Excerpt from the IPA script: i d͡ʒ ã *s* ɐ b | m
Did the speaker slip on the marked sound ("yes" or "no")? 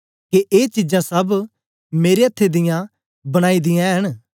no